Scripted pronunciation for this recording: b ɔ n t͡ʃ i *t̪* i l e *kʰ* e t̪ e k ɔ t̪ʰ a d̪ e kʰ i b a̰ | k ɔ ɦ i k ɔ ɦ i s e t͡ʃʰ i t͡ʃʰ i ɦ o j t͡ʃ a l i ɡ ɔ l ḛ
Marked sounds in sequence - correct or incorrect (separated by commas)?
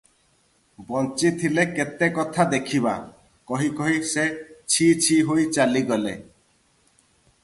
incorrect, incorrect